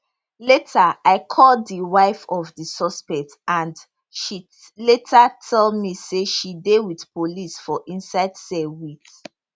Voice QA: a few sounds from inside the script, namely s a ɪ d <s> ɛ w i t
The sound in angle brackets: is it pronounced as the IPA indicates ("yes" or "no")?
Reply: yes